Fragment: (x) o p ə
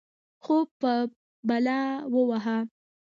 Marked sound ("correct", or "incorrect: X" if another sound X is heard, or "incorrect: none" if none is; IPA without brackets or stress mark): correct